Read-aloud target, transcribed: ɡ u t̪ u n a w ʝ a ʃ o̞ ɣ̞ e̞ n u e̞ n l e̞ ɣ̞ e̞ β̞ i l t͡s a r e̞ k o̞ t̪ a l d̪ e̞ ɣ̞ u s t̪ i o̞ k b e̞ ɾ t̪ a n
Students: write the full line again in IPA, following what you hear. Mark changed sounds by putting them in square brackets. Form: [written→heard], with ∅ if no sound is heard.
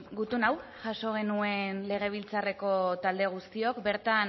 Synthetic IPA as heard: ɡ u t̪ u n a w ʝ a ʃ o̞ ɣ̞ e̞ n u e̞ n l e̞ ɣ̞ e̞ β̞ i l t͡s a r e̞ k o̞ t̪ a l d̪ e̞ ɣ̞ u s t̪ i o̞ k b e̞ ɾ t̪ a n